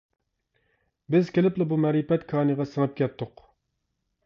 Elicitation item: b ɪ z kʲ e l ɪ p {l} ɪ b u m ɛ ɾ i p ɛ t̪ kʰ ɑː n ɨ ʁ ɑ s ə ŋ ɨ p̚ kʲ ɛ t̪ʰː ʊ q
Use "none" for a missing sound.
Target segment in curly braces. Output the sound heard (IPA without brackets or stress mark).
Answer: l